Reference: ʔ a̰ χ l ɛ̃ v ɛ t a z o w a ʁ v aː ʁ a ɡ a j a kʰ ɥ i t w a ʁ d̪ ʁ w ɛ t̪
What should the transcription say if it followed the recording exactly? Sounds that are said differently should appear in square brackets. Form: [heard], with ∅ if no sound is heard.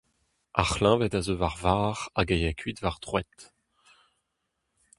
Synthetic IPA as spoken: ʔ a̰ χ l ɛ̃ v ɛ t a z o [v] a ʁ v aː ʁ a ɡ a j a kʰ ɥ i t [v] a ʁ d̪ ʁ w ɛ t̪